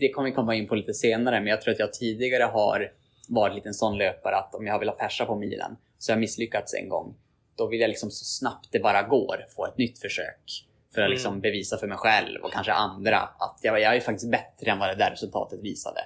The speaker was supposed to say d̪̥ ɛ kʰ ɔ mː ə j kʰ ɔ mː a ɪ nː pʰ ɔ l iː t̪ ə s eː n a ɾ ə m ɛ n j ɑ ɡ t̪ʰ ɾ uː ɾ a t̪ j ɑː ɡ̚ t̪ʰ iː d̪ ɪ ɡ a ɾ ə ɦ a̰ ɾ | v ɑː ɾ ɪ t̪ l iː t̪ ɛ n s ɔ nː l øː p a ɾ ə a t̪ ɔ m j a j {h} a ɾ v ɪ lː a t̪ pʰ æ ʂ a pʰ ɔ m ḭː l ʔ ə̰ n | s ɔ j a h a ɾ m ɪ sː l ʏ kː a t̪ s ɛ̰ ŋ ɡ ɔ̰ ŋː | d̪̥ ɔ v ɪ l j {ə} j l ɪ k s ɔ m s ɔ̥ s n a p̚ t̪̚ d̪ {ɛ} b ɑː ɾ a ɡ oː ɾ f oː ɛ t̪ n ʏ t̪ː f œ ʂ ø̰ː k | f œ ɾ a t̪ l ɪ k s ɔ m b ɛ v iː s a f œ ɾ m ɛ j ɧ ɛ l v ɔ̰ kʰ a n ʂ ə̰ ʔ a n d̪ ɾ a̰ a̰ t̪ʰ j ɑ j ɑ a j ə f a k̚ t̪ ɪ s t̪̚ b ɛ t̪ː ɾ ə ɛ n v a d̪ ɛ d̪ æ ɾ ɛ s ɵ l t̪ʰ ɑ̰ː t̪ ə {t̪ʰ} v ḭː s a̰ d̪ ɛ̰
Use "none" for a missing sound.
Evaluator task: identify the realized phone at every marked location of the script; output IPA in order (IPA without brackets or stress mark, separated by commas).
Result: h, a, ɛ, t̪